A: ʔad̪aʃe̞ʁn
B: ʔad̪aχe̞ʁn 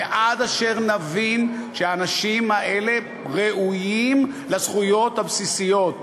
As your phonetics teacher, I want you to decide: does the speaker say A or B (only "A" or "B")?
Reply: A